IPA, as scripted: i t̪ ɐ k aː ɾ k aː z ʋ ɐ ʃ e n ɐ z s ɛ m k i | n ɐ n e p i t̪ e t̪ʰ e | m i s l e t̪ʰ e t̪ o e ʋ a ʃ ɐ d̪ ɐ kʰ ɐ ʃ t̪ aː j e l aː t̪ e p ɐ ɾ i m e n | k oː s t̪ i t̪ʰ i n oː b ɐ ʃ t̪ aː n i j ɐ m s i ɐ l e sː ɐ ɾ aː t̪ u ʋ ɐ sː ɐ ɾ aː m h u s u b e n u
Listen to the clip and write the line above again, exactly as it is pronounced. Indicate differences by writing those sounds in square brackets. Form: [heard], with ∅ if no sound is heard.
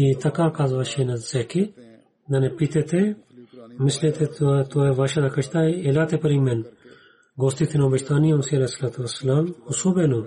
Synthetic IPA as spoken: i t̪ ɐ k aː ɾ k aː z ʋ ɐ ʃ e n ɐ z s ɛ [∅] k i | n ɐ n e p i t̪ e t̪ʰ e | m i s l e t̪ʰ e t̪ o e ʋ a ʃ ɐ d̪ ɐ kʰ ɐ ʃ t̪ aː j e l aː t̪ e p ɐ ɾ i m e n | [ɡ] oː s t̪ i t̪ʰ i n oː b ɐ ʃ t̪ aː n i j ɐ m s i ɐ l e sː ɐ [l] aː t̪ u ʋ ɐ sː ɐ [l] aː m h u s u b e n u